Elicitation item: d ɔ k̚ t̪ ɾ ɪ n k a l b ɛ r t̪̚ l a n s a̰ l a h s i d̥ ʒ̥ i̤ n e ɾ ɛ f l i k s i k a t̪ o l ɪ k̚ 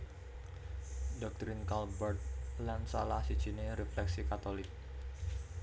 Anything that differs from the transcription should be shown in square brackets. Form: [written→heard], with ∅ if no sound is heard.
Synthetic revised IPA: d ɔ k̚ t̪ ɾ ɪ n k a l b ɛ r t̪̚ l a n s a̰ l a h s i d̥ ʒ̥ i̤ n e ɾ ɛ f l [i→ɛ] k s i k a t̪ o l ɪ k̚